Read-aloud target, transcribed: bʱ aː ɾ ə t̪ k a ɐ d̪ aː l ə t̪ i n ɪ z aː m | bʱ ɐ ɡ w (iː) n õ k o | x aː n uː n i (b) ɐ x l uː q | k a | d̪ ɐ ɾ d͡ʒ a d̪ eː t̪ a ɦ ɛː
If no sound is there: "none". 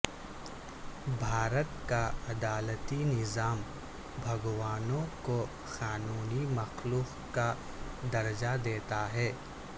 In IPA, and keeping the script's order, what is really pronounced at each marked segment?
aː, m

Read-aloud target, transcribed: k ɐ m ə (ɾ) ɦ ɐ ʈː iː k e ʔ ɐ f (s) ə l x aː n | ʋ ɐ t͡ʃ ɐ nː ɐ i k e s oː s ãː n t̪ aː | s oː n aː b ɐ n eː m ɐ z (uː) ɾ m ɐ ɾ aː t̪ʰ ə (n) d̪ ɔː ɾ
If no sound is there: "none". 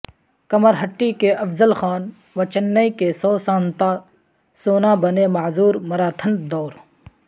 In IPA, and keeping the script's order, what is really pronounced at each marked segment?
ɾ, z, uː, n

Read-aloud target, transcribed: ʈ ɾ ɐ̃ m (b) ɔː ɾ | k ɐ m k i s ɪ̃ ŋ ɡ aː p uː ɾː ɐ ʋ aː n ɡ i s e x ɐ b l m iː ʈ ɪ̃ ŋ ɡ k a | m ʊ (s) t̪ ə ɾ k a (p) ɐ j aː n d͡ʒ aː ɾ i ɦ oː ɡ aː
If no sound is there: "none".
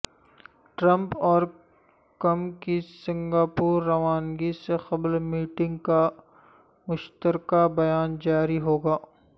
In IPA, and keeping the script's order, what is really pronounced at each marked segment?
p, ʃ, b

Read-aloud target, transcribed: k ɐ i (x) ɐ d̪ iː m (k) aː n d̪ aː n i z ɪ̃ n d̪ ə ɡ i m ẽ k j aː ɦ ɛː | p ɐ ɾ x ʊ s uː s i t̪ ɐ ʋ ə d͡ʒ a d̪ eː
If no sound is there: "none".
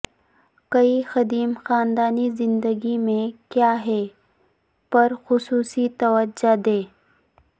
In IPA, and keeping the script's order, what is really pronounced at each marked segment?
x, x

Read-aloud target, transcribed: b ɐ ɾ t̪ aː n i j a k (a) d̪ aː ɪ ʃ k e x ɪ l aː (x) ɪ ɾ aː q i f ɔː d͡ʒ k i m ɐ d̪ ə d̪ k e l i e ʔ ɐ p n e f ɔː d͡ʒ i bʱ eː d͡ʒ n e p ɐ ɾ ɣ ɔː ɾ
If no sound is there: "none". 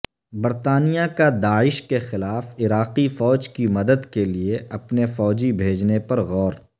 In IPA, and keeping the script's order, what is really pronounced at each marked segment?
a, f

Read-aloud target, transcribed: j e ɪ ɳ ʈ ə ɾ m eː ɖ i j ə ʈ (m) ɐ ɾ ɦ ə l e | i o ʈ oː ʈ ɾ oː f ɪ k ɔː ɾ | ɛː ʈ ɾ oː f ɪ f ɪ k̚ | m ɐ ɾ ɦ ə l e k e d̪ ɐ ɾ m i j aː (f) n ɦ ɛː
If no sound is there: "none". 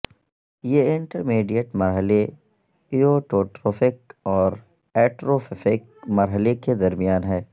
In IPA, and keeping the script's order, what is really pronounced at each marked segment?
m, none

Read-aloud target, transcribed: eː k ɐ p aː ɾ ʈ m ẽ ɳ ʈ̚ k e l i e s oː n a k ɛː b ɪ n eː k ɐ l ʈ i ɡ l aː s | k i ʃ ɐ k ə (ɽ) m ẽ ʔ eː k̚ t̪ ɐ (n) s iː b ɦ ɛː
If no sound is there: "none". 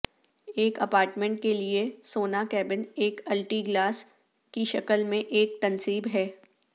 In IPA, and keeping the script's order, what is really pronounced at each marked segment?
l, n

